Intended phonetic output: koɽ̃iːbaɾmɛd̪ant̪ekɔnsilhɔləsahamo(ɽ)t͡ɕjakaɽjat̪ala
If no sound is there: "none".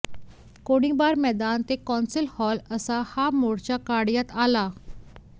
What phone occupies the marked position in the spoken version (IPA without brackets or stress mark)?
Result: ɽ